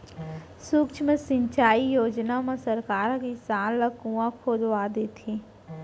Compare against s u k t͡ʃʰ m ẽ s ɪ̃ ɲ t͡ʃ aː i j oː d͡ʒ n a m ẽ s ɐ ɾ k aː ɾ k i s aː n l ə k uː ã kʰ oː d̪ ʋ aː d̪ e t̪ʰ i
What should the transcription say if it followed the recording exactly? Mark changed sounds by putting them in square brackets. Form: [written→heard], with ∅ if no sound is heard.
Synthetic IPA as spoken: s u k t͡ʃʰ m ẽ s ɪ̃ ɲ t͡ʃ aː i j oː d͡ʒ n a m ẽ s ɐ ɾ k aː ɾ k i s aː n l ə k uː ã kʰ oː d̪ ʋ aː d̪ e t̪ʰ i